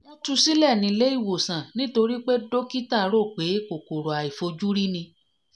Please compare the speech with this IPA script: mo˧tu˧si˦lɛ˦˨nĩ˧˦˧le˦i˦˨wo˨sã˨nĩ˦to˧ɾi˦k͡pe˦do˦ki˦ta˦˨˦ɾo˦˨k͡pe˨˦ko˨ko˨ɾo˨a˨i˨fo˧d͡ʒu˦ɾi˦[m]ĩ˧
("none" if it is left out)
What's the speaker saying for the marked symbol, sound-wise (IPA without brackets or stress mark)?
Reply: n